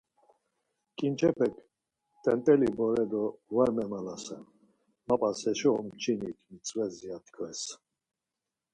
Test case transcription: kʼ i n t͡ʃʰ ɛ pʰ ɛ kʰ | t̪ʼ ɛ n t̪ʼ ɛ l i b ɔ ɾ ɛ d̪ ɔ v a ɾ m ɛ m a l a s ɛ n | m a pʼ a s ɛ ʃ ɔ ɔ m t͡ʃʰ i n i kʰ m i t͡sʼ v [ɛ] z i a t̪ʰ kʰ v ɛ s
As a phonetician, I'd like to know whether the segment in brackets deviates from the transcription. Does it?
no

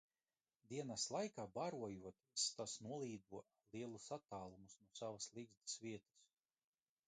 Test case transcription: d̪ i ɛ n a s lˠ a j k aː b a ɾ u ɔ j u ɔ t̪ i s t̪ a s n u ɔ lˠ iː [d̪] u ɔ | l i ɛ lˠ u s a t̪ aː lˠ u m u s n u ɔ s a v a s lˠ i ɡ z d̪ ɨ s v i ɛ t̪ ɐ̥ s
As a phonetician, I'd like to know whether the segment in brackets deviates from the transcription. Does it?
no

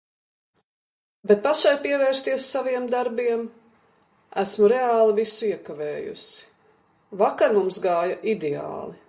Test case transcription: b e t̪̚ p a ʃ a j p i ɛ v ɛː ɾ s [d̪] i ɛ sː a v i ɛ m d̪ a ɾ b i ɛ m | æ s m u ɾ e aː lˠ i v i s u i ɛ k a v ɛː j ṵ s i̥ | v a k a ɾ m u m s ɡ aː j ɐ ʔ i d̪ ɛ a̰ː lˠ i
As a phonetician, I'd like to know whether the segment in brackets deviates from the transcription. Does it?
yes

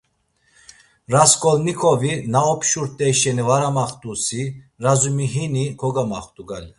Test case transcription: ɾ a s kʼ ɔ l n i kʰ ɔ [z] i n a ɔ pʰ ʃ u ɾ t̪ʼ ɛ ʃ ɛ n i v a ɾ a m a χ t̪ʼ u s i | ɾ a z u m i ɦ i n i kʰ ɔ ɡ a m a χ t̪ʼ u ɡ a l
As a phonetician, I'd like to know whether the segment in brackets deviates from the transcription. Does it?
yes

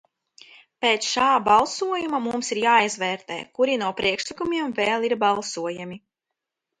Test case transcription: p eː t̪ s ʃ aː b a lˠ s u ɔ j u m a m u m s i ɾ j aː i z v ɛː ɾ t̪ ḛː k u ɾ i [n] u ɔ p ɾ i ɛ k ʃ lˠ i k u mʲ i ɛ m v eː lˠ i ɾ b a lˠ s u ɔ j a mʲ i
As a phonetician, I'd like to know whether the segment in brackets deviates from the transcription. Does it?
no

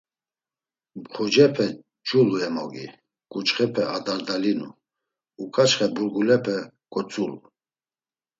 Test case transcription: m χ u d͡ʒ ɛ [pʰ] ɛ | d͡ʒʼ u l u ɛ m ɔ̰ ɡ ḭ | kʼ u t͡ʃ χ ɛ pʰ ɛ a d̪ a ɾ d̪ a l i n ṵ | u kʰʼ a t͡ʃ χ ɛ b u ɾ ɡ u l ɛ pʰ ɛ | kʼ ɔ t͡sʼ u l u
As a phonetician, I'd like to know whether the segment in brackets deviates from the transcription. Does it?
no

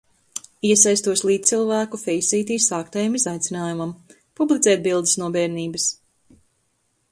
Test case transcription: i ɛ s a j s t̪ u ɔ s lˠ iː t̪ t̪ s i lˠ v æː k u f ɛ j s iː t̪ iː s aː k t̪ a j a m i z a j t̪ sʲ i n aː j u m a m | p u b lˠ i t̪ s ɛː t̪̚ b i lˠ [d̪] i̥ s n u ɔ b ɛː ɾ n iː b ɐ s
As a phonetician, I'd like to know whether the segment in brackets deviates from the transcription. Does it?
no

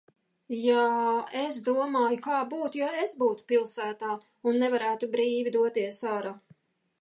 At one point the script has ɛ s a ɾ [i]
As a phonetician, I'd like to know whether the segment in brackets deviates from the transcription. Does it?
yes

